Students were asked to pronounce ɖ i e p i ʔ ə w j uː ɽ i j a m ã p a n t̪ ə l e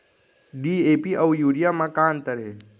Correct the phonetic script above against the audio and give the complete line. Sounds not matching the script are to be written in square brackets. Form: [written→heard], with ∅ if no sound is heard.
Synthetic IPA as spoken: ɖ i e p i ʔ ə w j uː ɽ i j a m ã [p→k] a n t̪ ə [l→ɾ] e